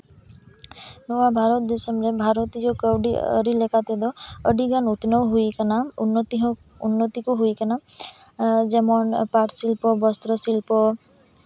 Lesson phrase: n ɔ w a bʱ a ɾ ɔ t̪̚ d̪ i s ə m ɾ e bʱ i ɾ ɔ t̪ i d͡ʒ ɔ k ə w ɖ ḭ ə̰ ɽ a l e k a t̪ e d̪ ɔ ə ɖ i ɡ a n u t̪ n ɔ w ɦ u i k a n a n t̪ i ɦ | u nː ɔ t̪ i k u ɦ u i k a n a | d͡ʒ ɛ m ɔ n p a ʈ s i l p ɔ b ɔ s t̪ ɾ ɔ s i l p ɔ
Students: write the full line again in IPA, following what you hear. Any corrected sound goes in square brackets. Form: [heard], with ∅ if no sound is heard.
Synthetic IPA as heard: n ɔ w a bʱ a ɾ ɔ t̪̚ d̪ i s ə m ɾ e bʱ [a] ɾ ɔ t̪ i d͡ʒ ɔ k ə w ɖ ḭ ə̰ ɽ [i] l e k a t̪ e d̪ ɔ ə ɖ i ɡ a n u t̪ n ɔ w ɦ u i k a n a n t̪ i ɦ | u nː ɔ t̪ i k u ɦ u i k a n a | d͡ʒ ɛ m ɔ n p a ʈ s i l p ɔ b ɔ s t̪ ɾ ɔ s i l p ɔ